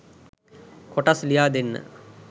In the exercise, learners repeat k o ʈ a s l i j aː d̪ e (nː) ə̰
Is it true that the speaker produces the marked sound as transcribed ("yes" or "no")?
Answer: yes